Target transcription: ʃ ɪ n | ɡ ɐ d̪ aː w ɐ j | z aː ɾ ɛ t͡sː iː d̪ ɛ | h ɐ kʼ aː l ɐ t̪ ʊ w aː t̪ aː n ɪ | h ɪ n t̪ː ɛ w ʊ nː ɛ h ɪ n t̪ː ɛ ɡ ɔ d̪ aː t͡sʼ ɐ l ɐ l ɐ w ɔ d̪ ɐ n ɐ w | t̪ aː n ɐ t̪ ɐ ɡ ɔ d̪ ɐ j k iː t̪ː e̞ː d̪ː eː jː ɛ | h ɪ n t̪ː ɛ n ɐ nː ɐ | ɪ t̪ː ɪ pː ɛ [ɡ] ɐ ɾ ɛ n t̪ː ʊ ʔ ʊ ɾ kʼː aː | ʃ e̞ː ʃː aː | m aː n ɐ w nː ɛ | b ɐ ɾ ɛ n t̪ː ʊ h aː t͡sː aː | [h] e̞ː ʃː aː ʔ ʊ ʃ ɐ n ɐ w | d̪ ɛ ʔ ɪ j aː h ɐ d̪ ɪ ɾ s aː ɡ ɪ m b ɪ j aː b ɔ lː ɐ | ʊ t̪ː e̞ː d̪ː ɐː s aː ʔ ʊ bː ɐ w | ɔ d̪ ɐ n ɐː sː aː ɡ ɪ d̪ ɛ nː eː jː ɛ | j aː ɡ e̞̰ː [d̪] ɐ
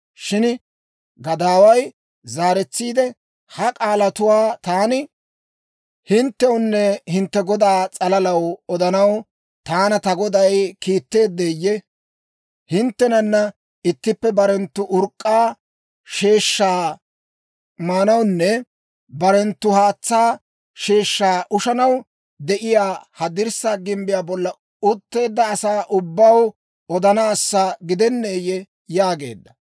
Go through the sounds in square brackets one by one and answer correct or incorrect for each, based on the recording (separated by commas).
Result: incorrect, incorrect, incorrect